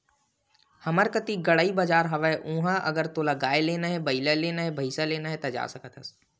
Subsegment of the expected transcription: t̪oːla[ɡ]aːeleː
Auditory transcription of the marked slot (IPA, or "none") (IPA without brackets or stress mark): ɡ